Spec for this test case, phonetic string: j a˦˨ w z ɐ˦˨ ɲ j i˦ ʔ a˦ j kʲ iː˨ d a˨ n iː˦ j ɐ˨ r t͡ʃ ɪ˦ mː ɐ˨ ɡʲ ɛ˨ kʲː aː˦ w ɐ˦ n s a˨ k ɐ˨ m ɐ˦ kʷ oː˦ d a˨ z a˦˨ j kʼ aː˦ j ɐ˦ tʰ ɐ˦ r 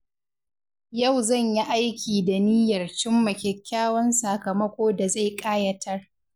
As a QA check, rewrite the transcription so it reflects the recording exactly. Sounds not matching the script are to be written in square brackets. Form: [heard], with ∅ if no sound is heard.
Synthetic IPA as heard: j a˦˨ w z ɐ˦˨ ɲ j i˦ ʔ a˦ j kʲ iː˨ d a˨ n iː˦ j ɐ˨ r t͡ʃ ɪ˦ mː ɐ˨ [kʲ] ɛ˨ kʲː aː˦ w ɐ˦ n s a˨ k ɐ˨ m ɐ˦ kʷ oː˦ d a˨ z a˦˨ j kʼ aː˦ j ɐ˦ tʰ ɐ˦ r